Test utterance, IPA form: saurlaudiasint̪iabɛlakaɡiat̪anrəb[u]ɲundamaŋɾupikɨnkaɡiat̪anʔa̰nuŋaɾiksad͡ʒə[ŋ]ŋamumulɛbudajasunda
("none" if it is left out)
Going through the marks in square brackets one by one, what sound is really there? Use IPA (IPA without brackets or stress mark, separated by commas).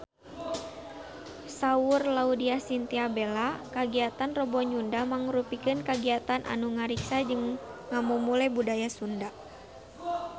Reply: ɔ, ŋ